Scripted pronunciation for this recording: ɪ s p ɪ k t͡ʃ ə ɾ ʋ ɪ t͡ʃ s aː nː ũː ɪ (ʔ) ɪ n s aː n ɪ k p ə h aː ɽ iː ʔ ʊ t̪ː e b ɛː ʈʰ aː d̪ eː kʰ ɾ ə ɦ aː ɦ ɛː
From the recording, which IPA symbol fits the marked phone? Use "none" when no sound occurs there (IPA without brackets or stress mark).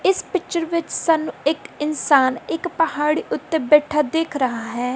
k